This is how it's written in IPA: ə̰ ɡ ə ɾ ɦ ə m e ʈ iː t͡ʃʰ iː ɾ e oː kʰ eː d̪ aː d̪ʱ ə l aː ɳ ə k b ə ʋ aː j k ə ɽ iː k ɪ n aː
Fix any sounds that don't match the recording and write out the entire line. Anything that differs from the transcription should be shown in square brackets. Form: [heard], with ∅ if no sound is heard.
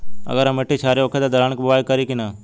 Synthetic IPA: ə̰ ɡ ə ɾ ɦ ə m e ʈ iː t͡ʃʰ [aː] ɾ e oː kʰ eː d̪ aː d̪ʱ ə [ɾ] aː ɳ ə k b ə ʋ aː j k ə [ɾ] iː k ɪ n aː